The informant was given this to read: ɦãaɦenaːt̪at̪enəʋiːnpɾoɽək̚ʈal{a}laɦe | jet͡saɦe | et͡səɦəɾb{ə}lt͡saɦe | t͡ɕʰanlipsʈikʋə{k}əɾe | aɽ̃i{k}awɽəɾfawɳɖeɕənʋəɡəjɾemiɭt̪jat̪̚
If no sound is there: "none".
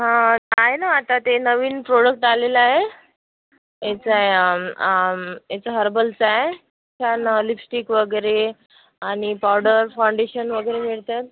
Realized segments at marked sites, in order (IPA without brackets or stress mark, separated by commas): e, ə, ɡ, p